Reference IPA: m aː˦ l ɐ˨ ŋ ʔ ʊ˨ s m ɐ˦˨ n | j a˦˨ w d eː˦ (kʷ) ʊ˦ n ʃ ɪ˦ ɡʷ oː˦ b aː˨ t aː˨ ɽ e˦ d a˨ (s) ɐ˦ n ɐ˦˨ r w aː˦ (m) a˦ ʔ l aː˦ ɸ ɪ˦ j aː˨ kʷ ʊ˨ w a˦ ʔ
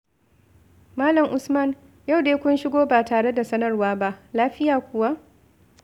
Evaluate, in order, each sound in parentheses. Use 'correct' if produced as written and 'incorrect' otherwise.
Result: correct, correct, incorrect: b

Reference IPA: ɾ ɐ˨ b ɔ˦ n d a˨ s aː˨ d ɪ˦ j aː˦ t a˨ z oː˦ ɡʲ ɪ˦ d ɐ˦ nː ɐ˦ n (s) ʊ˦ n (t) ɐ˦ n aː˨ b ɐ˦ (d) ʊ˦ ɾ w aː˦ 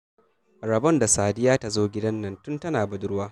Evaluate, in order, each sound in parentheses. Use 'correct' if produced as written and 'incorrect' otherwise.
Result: incorrect: t, correct, correct

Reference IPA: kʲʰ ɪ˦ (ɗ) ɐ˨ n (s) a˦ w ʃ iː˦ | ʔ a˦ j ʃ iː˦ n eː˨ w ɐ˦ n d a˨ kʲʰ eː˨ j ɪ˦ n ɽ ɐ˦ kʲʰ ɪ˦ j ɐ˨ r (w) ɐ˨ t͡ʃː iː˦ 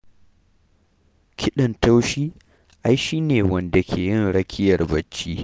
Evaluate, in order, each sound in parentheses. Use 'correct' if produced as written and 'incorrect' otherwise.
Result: correct, incorrect: t, incorrect: b

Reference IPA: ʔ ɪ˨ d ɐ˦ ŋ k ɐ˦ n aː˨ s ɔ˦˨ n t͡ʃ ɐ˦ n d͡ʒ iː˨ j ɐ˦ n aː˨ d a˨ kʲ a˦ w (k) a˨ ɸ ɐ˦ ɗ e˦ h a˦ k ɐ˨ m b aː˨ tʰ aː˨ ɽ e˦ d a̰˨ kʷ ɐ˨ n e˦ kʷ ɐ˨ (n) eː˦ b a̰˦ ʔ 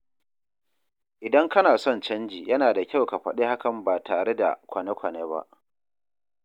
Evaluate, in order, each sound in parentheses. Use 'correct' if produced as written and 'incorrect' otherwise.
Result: correct, correct

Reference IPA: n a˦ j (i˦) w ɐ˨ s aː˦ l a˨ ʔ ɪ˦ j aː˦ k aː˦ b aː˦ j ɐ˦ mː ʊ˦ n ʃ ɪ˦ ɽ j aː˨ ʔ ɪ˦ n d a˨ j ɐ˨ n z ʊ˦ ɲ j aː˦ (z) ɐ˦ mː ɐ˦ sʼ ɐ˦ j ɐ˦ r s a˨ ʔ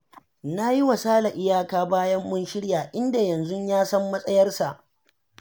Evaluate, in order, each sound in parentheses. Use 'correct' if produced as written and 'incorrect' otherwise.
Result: correct, incorrect: s

